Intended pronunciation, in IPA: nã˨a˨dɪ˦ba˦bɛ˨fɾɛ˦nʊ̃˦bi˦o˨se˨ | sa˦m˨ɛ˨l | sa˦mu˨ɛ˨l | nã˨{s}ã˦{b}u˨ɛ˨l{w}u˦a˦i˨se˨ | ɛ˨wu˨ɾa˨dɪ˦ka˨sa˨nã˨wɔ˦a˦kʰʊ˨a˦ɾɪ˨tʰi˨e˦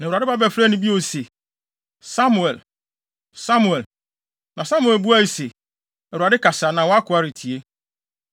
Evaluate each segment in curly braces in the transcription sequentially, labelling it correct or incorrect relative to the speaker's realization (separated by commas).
correct, incorrect, incorrect